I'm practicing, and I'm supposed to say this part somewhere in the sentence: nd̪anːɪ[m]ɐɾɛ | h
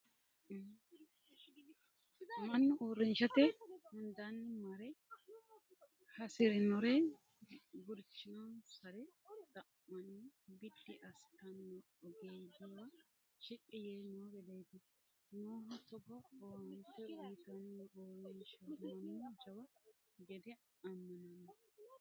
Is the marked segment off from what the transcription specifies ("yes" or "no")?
no